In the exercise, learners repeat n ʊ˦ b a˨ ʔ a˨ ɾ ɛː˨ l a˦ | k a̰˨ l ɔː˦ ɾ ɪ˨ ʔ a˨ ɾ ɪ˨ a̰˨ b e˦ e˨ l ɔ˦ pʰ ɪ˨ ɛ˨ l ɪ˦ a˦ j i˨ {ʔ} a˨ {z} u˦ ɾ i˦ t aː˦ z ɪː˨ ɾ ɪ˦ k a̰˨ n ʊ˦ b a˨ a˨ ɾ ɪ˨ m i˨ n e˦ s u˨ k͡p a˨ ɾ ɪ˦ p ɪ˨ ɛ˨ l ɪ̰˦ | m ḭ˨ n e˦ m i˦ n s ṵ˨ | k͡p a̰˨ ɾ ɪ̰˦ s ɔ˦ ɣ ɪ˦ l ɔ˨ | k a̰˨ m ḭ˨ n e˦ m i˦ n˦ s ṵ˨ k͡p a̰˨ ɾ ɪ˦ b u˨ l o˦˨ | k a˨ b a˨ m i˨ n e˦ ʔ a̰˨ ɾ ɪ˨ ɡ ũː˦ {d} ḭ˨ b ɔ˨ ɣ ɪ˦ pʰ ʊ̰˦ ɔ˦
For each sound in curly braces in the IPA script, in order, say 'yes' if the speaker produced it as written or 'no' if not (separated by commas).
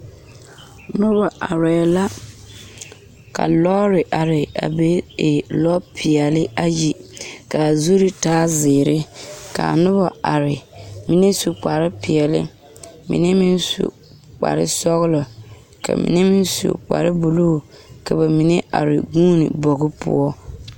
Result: no, yes, no